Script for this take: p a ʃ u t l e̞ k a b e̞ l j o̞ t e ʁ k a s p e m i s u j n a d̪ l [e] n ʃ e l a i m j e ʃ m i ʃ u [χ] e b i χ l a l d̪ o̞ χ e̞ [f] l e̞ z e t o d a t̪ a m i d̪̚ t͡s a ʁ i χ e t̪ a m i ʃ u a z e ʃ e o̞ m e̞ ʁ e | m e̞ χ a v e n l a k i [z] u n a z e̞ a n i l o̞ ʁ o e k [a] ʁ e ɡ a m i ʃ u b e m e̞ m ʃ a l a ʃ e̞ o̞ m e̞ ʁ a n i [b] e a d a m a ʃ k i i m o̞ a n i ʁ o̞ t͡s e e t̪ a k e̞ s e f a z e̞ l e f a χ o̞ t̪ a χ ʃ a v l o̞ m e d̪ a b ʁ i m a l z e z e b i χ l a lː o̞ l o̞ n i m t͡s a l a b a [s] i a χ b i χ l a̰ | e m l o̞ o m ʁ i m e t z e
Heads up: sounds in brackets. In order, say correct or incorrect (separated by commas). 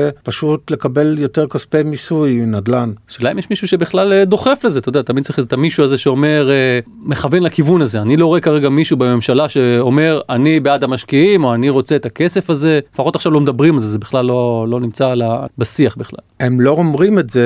incorrect, incorrect, correct, incorrect, correct, correct, correct